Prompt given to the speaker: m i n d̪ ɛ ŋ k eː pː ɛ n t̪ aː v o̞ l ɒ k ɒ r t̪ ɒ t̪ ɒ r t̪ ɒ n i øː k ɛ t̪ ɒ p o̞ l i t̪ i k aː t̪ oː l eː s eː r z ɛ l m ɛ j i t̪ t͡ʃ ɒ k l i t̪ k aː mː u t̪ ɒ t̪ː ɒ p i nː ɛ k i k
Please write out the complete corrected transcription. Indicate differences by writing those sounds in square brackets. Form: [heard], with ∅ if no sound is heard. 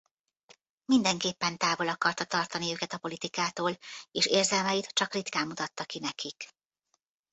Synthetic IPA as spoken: m i n d̪ ɛ ŋ k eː pː ɛ n t̪ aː v o̞ l ɒ k ɒ r t̪ ɒ t̪ ɒ r t̪ ɒ n i øː k ɛ t̪ ɒ p o̞ l i t̪ i k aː t̪ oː l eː [ʃ] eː r z ɛ l m ɛ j i t̪ t͡ʃ ɒ k [r] i t̪ k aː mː u t̪ ɒ t̪ː ɒ [k] i [n] ɛ k i k